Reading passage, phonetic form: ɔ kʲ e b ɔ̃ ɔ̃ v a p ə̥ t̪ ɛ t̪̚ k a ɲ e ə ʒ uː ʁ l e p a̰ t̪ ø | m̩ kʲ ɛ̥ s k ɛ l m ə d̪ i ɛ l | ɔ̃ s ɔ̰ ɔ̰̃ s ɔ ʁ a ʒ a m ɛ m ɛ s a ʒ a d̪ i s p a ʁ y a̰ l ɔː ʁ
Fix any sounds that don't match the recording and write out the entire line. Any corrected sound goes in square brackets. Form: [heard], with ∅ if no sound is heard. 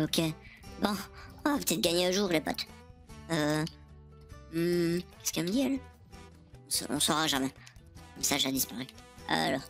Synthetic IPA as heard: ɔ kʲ e b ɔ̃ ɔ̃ v a p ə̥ t̪ ɛ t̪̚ [ɡ] a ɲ e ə ʒ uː ʁ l e p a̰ t̪ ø | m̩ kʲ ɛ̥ s k ɛ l m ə d̪ i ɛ l | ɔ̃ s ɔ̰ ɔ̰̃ s ɔ ʁ a ʒ a m ɛ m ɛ s a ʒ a d̪ i s p a ʁ y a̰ l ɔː ʁ

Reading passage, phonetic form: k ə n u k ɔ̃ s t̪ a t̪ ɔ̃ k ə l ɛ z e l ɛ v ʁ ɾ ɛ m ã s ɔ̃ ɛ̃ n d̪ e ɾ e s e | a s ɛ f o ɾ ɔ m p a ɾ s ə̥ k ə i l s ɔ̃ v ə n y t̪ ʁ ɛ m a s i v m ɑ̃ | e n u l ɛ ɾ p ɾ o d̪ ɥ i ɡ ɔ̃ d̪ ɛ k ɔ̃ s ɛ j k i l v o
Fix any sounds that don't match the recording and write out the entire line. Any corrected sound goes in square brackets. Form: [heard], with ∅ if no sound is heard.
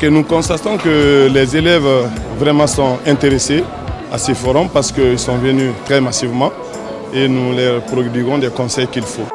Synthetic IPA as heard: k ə n u k ɔ̃ s t̪ a t̪ ɔ̃ k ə l ɛ z e l ɛ v [v] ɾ ɛ m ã s ɔ̃ ɛ̃ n [t̪] e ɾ e s e | a s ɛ f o ɾ ɔ m p a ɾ s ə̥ k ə i l s ɔ̃ v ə n y t̪ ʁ ɛ m a s i v m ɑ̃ | e n u l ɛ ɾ p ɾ o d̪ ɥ i ɡ ɔ̃ d̪ ɛ k ɔ̃ s ɛ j k i l [f] o

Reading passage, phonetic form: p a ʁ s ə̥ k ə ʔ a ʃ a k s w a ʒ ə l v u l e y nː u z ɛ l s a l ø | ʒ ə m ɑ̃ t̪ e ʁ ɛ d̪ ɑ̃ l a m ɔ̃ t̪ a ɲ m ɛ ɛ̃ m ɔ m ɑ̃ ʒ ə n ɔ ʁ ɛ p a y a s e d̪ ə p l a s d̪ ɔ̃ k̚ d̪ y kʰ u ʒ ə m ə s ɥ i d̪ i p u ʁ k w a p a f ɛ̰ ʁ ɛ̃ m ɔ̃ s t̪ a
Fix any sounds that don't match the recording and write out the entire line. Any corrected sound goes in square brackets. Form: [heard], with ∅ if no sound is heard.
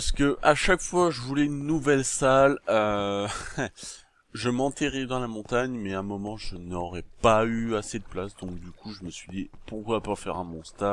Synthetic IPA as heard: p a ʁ s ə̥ k ə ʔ a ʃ a k [f] w a ʒ ə [∅] v u l [ɛ] y nː u [v] ɛ l s a l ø | ʒ ə m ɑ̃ t̪ e ʁ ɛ d̪ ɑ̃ l a m ɔ̃ t̪ a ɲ m ɛ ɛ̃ m ɔ m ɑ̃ ʒ ə n ɔ ʁ ɛ p a y a s e d̪ ə p l a s d̪ ɔ̃ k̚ d̪ y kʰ u ʒ ə m ə s ɥ i d̪ i p u ʁ k w a p a f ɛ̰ ʁ ɛ̃ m ɔ̃ s t̪ a

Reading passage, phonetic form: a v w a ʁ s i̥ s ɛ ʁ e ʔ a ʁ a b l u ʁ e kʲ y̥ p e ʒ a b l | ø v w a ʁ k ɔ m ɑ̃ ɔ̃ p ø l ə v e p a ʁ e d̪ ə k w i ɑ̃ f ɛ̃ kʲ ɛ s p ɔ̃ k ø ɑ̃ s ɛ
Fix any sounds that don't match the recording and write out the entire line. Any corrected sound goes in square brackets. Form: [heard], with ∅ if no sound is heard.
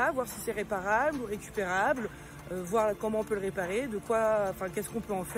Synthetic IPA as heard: a v w a ʁ s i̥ s ɛ ʁ e [p] a ʁ a b l u ʁ e kʲ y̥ p e [ʁ] a b l | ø v w a ʁ k ɔ m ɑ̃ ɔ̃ p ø l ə [ʁ] e p a ʁ e d̪ ə k w [a] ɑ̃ f ɛ̃ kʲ ɛ s [k] ɔ̃ [p] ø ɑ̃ [f] ɛ

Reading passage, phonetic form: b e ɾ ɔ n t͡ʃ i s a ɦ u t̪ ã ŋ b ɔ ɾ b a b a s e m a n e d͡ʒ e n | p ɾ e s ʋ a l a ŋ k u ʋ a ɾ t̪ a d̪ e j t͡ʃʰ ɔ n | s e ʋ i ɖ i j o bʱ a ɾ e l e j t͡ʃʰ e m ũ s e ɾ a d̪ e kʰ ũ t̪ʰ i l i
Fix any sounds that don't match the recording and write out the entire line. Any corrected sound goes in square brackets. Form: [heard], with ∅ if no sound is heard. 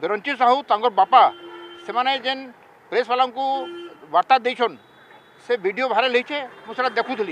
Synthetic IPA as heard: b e ɾ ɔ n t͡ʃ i s a ɦ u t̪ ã ŋ [ɡ] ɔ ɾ b a [p] a s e m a n e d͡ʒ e n | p ɾ e s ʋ a l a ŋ k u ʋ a ɾ t̪ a d̪ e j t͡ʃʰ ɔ n | s e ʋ i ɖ i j o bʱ a ɾ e l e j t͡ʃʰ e m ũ s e ɾ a d̪ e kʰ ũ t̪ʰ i l i

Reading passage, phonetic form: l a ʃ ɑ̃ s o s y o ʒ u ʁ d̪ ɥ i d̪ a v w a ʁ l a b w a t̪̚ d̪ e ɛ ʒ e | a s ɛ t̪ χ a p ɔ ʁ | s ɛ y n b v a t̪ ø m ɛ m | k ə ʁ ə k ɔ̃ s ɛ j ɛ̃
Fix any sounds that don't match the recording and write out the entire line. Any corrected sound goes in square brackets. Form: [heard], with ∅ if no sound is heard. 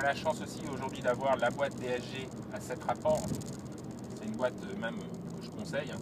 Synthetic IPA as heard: l a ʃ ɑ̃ s o s [i] o ʒ u ʁ d̪ ɥ i d̪ a v w a ʁ l a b w a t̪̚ d̪ e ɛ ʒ e | a s ɛ t̪ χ a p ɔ ʁ | s ɛ y n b [w] a t̪ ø m ɛ m | k ə [ʒ] ə k ɔ̃ s ɛ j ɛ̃

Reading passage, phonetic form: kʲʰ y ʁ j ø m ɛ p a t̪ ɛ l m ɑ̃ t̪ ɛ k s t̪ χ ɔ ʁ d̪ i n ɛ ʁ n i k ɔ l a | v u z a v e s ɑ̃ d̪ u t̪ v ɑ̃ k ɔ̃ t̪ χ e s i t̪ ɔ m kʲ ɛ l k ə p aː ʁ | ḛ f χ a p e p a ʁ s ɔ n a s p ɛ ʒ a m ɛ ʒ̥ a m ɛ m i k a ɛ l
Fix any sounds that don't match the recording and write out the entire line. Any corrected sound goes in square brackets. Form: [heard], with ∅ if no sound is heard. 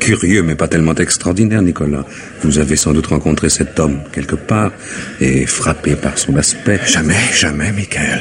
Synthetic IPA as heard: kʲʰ y ʁ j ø m ɛ p a t̪ ɛ l m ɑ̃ t̪ ɛ k s t̪ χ ɔ ʁ d̪ i n ɛ ʁ n i k ɔ l a | v u z a v e s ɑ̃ d̪ u t̪ [ʁ] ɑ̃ k ɔ̃ t̪ χ e s [ɛ] t̪ ɔ m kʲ ɛ l k ə p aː ʁ | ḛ f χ a p e p a ʁ s [ɔ̃] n a s p ɛ ʒ a m ɛ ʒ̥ a m ɛ m i k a ɛ l

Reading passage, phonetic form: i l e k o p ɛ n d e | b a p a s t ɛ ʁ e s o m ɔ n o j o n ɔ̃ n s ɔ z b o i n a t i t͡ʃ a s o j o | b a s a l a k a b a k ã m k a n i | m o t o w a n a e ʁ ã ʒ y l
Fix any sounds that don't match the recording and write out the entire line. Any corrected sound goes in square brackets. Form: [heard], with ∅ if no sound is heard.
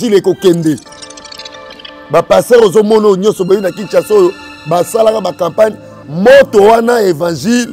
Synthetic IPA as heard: i l e k o [k] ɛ n d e | b a p a s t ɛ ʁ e [z] o m ɔ n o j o [ɲ] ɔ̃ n s ɔ [∅] b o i n a [k] i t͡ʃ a s o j o | b a s a l a k a b a k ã m [p] a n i | m o t o w a n a e [v] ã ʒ [i] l

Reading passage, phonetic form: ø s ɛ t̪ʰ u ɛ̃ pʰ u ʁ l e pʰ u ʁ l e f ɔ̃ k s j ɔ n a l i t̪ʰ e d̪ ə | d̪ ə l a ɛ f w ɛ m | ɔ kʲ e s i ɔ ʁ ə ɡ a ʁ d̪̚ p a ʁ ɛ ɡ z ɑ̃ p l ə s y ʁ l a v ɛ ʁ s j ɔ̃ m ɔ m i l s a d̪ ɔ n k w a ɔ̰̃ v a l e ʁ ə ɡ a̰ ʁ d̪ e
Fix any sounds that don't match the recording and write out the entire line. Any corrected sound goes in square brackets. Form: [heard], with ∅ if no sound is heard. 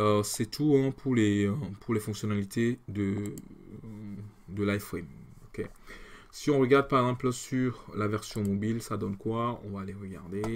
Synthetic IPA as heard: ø s ɛ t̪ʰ u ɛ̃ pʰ u ʁ l e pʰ u ʁ l e f ɔ̃ k s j ɔ n a l i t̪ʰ e d̪ ə | d̪ ə l a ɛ f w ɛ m | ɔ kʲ e s i [ɔ̃] ʁ ə ɡ a ʁ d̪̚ p a ʁ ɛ ɡ z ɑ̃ p l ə s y ʁ l a v ɛ ʁ s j ɔ̃ m ɔ [b] i l s a d̪ ɔ n k w a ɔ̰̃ v a l e ʁ ə ɡ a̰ ʁ d̪ e

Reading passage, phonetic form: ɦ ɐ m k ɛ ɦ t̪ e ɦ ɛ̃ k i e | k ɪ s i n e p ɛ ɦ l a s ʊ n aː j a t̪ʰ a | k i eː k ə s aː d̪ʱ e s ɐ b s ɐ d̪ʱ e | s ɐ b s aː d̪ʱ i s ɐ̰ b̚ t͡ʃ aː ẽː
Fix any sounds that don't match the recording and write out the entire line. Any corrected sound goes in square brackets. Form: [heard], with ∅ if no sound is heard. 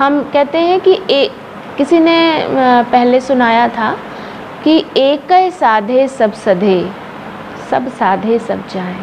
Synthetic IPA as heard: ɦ ɐ m k ɛ ɦ t̪ e ɦ ɛ̃ k i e | k ɪ s i n e p ɛ ɦ l [e] s ʊ n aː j a t̪ʰ a | k i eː k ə s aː d̪ʱ e s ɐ b s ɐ d̪ʱ e | s ɐ b s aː d̪ʱ [e] s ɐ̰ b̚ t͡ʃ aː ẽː

